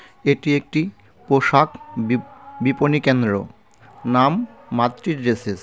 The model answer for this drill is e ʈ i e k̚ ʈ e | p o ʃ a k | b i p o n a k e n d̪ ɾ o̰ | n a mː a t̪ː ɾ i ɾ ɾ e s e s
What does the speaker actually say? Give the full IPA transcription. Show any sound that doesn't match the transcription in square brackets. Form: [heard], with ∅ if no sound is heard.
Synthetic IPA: e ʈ i e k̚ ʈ [i] | p o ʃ a k | b i p o n [i] k e n d̪ ɾ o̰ | n a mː a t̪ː ɾ i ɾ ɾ e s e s